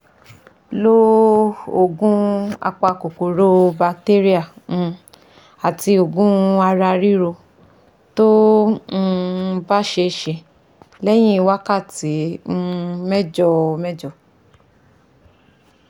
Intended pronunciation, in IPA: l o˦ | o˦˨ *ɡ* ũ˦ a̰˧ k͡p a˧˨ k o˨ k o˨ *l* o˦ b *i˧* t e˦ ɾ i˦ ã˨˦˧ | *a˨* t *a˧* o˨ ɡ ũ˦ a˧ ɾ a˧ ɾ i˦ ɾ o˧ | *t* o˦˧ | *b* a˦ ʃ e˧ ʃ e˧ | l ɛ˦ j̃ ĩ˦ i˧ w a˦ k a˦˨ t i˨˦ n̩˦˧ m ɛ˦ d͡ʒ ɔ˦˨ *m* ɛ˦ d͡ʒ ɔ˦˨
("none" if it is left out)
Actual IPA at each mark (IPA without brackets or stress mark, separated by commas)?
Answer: ɡ, ɾ, a˧, a˨, i˧, t, b, m